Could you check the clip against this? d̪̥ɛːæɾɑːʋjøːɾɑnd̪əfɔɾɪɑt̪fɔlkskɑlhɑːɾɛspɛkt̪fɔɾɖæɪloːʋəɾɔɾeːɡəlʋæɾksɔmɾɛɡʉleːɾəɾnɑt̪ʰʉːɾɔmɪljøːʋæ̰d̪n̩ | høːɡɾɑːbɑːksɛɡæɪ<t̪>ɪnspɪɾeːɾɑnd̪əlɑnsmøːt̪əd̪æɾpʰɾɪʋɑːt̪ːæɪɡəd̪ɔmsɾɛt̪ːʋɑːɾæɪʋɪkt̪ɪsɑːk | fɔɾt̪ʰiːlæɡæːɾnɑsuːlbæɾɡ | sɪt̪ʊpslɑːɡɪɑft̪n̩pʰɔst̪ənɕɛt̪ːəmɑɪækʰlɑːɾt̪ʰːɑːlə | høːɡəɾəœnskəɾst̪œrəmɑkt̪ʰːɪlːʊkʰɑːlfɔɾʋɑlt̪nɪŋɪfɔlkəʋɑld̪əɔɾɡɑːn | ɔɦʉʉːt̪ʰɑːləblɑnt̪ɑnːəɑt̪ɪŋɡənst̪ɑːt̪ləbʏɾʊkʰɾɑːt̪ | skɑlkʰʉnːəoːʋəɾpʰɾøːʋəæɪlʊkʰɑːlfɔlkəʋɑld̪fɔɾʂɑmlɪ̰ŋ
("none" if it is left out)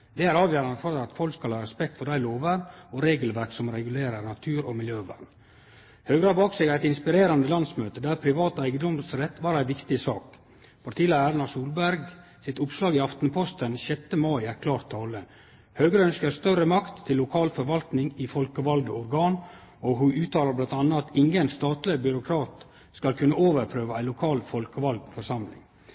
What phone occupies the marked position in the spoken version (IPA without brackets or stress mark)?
t̪